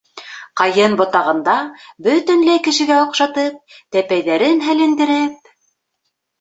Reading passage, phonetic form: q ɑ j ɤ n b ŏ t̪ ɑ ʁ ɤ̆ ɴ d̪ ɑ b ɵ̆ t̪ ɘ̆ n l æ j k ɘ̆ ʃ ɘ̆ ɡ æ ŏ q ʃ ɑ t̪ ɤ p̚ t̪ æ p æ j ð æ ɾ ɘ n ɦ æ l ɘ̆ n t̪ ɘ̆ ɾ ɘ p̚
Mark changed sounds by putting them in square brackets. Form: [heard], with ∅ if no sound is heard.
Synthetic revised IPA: q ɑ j ɤ n b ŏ t̪ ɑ ʁ ɤ̆ [n] d̪ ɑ b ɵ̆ t̪ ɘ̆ n l æ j k ɘ̆ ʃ ɘ̆ ɡ æ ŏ q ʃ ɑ t̪ ɤ p̚ t̪ æ p æ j ð æ ɾ ɘ n ɦ æ l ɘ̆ n [d̪] ɘ̆ ɾ ɘ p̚